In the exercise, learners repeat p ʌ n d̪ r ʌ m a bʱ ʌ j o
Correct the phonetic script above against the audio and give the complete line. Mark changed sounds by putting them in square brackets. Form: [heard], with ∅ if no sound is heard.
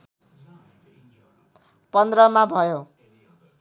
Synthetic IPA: p ʌ n d̪ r ʌ m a bʱ ʌ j o